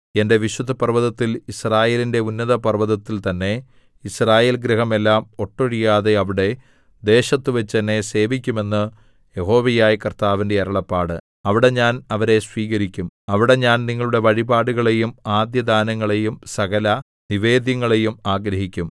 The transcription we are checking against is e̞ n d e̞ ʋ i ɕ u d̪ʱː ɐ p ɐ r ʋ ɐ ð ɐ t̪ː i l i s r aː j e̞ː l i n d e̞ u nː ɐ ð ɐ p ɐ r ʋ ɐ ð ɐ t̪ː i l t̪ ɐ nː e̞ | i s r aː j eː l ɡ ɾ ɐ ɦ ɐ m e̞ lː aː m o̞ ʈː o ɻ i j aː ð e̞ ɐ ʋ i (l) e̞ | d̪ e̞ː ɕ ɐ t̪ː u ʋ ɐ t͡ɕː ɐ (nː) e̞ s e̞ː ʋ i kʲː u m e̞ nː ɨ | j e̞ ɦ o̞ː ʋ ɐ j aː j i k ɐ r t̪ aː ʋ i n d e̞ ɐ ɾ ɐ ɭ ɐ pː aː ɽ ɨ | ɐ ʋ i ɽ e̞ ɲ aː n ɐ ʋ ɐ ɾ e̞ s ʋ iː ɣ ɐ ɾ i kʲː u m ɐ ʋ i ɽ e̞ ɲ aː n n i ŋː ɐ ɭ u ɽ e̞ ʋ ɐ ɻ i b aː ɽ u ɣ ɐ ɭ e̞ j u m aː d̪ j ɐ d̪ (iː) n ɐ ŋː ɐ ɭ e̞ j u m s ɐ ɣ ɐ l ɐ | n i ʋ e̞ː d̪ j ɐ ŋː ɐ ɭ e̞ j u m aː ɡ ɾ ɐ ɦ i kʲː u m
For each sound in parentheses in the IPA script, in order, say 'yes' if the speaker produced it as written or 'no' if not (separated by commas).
no, yes, no